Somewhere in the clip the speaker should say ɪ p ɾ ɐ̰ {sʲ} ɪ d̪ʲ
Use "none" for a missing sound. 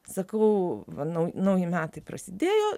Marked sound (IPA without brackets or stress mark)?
sʲ